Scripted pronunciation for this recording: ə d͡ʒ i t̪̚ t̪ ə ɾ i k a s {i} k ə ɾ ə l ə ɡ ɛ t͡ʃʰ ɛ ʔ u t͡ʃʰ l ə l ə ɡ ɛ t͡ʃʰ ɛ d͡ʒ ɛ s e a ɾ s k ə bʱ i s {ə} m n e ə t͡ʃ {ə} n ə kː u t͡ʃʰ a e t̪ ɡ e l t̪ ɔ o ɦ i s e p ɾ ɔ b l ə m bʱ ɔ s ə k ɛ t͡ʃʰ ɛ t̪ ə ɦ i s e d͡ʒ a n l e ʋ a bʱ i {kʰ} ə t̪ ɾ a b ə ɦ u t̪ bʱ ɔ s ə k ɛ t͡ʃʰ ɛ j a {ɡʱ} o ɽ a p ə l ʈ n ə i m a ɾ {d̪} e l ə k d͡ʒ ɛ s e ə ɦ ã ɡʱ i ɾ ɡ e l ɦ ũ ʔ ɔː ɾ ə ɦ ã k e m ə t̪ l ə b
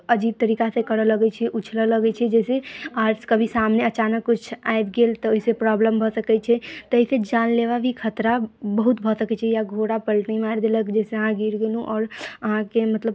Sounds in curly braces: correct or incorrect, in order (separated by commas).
incorrect, incorrect, incorrect, correct, correct, correct